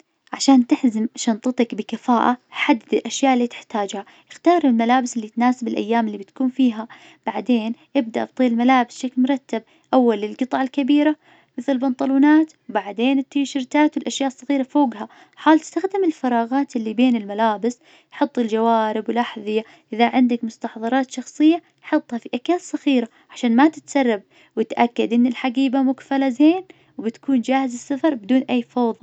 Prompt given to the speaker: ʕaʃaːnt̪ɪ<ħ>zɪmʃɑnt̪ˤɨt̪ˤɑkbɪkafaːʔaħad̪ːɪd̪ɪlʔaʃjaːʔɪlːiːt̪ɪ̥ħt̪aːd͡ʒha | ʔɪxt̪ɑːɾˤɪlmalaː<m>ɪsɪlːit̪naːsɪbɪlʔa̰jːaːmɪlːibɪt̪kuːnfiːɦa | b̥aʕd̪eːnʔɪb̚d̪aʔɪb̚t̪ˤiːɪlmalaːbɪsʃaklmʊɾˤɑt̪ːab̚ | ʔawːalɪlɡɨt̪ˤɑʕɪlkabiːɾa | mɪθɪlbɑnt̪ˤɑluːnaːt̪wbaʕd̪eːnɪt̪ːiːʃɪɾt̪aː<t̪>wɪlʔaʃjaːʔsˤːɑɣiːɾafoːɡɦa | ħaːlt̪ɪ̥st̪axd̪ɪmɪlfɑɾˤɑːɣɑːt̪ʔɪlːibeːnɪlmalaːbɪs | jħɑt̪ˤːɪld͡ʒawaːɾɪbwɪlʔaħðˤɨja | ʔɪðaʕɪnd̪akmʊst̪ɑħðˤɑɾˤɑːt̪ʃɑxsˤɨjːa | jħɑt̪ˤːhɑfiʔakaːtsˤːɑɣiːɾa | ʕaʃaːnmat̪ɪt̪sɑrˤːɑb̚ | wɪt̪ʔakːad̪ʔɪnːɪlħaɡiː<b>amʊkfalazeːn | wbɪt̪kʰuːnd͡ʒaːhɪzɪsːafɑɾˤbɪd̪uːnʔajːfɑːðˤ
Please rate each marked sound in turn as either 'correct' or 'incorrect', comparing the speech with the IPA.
correct, incorrect: b, correct, correct

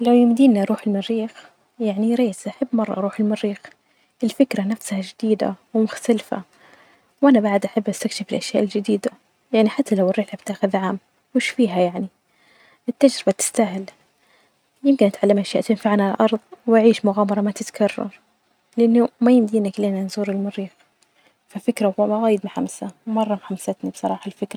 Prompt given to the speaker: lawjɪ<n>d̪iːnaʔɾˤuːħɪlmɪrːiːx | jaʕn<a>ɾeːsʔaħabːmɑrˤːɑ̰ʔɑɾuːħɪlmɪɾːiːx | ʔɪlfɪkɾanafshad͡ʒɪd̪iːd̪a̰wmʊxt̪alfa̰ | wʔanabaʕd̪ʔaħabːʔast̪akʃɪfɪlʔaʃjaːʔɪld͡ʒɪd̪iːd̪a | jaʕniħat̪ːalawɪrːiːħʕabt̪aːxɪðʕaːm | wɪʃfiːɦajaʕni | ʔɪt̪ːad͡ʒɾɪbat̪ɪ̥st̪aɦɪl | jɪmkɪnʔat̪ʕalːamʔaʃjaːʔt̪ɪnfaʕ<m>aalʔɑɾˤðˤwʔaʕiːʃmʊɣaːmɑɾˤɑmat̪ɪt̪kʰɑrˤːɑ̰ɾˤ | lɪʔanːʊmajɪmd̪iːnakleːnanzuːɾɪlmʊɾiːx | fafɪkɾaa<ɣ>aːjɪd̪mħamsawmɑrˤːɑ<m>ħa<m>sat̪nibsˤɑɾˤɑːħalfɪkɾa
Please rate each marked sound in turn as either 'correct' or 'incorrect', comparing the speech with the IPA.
incorrect: m, incorrect: i, incorrect: n, correct, correct, correct

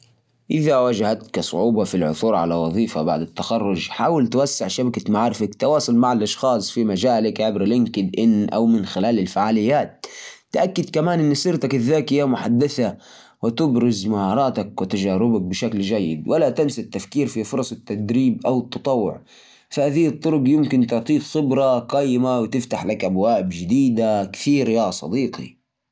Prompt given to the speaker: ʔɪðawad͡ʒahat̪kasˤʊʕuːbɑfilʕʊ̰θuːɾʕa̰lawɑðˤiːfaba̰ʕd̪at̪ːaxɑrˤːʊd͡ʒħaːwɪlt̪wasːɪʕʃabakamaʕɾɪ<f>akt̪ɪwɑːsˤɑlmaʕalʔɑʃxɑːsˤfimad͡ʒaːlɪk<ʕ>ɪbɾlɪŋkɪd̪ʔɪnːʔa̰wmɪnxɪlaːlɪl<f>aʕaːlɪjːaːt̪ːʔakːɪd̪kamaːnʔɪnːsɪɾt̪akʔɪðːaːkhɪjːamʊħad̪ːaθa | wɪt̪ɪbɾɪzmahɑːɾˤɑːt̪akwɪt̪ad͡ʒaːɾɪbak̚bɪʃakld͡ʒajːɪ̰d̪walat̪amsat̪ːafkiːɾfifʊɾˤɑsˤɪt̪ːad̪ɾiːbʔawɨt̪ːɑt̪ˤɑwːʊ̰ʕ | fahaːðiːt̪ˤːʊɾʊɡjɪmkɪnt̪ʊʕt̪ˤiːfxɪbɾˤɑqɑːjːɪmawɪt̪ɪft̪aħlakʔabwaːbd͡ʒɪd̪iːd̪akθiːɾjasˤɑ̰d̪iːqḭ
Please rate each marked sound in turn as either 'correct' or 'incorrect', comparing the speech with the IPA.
correct, correct, correct

